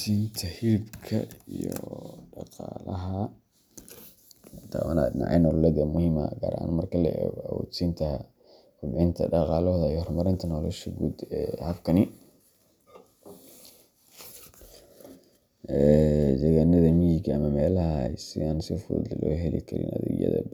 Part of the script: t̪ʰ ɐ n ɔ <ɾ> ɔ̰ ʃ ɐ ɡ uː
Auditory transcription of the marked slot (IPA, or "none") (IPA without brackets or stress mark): l